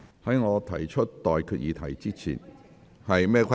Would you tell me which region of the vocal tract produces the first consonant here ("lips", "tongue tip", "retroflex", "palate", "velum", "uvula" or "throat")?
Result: throat